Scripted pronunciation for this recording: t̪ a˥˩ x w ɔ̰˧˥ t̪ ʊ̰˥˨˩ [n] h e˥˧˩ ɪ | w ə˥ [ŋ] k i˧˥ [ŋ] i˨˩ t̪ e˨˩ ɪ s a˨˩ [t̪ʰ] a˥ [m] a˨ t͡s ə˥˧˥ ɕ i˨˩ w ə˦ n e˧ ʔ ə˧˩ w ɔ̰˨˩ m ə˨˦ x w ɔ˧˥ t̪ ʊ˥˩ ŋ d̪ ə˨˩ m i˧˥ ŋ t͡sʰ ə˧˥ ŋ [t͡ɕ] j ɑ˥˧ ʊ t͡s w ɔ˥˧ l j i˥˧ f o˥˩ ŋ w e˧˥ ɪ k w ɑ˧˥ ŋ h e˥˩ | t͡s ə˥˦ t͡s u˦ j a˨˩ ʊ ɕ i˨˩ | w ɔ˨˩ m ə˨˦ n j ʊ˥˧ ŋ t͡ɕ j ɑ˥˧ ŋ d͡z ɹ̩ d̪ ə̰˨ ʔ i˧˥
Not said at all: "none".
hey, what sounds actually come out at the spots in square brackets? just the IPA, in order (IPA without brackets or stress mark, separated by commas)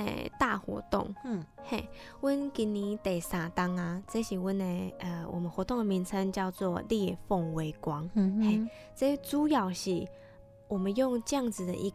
ŋ, n, n, t̪, ŋ, t͡ɕ